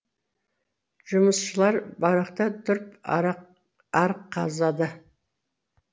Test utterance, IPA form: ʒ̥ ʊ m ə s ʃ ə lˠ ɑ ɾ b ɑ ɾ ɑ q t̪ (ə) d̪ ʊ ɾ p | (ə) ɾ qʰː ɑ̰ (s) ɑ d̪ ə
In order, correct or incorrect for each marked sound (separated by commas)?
incorrect, incorrect, incorrect